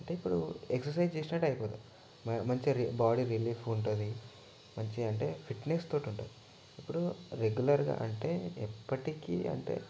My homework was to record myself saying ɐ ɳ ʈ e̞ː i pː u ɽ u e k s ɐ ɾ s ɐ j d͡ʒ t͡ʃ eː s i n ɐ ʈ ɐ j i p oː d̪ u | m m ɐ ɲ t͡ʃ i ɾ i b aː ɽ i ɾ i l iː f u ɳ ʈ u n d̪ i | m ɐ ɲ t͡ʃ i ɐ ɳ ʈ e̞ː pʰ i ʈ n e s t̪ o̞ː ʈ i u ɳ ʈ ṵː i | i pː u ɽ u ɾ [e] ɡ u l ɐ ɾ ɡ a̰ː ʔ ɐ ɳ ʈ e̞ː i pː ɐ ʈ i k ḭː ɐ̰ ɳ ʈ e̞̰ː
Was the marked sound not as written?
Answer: no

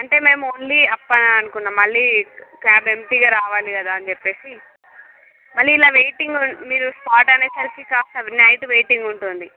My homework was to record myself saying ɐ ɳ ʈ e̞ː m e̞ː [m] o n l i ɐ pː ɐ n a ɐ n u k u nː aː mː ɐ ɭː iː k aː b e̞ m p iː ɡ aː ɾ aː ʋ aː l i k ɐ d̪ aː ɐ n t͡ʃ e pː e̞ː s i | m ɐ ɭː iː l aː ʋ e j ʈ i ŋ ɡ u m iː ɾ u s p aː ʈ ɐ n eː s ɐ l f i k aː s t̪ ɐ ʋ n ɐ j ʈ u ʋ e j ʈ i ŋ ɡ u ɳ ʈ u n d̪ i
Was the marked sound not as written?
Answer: no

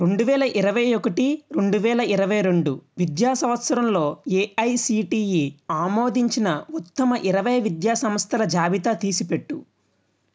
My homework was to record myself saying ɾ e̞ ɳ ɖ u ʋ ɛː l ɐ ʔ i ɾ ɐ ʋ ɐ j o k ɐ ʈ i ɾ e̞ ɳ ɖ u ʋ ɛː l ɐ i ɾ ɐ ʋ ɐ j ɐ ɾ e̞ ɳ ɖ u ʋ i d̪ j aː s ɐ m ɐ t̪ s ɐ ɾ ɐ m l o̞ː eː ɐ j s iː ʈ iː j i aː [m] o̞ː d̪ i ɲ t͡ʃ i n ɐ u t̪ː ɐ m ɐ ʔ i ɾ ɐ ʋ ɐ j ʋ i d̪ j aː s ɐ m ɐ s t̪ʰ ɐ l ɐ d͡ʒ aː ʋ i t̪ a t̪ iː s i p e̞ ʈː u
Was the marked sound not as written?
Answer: no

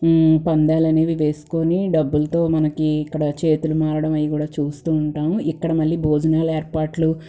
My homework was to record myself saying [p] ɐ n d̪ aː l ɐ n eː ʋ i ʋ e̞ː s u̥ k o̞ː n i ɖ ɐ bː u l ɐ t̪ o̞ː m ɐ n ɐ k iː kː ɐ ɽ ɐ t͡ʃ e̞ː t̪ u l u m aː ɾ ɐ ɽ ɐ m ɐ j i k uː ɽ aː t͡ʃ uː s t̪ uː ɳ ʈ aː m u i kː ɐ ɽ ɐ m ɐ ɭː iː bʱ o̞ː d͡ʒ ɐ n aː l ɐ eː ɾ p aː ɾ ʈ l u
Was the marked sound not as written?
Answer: no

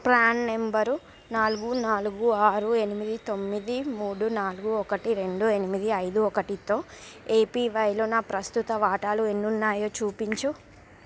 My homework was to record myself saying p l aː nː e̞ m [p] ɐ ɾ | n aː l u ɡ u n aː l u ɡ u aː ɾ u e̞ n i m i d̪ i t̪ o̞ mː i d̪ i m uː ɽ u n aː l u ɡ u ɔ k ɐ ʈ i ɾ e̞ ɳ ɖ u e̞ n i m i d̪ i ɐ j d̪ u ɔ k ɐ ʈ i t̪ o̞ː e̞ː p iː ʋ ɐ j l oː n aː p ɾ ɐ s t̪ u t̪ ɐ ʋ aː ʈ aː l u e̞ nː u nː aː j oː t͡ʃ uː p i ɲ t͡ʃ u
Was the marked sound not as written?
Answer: yes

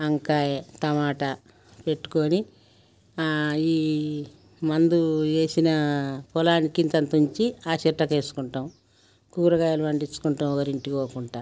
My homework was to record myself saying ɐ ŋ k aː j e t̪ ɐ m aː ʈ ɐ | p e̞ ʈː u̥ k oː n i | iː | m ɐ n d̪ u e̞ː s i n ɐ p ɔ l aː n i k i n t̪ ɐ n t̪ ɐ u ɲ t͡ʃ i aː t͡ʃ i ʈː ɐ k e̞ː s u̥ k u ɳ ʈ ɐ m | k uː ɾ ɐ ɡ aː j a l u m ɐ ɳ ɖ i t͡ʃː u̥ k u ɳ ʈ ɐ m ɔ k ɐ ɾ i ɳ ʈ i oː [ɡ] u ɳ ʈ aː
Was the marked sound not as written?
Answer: yes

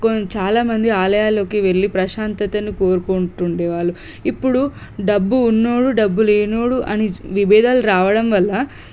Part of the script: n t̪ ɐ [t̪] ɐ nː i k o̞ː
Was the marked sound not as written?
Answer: no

